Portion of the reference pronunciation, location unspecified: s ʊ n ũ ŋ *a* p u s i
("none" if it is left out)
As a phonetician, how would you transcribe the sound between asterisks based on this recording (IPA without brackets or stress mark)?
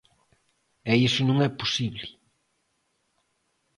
ɛ